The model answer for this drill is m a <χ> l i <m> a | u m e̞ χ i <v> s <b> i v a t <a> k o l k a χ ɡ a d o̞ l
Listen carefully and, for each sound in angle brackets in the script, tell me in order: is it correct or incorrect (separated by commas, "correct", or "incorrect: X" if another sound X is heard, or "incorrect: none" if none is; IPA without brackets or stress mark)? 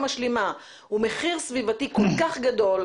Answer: incorrect: ʃ, correct, incorrect: ʁ, incorrect: v, incorrect: i